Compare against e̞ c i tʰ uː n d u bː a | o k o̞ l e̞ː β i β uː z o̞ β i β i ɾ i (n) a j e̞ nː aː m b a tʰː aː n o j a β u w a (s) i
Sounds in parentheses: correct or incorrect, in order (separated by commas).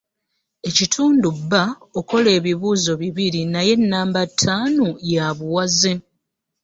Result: correct, incorrect